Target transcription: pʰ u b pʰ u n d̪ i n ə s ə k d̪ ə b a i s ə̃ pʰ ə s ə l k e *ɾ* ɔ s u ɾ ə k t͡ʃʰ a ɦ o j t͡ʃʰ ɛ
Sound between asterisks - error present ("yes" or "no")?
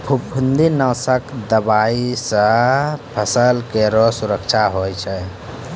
no